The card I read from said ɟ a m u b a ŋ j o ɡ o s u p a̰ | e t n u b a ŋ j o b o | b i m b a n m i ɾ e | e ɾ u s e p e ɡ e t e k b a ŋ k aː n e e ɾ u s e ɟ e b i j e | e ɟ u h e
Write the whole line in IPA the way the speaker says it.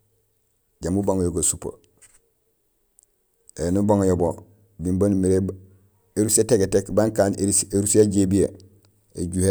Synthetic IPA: ɟ a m u b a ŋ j o ɡ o s u p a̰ | e n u b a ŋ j o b o | b i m b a n m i ɾ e | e ɾ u s e t e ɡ e t e k b a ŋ k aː n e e ɾ u s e ɟ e b i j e | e ɟ u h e